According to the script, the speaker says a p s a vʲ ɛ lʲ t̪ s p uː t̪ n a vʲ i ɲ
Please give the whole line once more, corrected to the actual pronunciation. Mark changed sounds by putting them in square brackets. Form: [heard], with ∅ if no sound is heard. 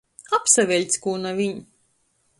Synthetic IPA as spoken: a p s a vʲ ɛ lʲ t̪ s [k] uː [∅] n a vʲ i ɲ